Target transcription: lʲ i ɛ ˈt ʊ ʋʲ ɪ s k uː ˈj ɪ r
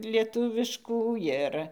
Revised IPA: lʲ i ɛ ˈt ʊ ʋʲ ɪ ʃ k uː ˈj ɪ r